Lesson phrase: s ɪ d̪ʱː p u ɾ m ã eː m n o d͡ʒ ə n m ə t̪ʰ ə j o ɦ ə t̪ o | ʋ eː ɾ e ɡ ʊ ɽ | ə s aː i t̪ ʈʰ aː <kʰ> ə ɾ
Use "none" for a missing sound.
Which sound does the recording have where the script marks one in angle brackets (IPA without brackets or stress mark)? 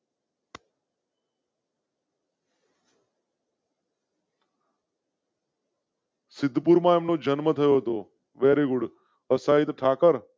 k